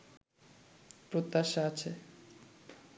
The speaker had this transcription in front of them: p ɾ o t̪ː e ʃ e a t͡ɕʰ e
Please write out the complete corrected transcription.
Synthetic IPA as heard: p ɾ o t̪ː a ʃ a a t͡ɕʰ e